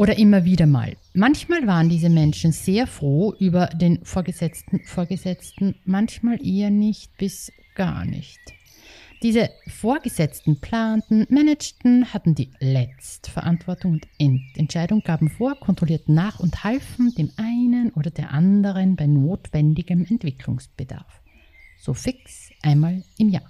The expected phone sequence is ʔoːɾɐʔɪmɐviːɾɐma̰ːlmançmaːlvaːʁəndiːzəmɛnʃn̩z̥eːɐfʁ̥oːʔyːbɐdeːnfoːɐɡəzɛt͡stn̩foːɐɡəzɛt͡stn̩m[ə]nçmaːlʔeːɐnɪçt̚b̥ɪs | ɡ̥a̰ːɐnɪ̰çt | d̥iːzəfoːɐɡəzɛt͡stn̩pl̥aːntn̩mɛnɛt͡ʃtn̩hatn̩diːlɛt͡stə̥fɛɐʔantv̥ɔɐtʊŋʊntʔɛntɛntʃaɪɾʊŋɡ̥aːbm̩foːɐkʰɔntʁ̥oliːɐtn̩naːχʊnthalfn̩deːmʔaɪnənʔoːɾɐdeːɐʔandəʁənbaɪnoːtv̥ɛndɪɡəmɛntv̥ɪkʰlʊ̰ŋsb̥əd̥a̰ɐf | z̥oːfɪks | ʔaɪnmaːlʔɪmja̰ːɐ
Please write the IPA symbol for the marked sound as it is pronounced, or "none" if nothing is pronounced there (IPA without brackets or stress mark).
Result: a